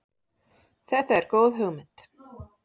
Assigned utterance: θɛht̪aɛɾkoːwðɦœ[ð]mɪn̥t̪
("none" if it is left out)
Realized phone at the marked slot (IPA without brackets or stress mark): ɣ